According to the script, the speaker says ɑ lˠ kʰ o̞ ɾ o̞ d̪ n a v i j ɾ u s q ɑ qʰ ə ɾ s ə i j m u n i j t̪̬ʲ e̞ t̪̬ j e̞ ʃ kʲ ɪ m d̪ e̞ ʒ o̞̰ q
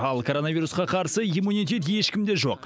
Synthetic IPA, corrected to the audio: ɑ lˠ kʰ o̞ ɾ o̞ n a v i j ɾ u s q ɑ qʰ ɑ ɾ s ə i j m u n i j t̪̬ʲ e̞ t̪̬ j e̞ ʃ kʲ ɪ m d̪ e̞ ʒ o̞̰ q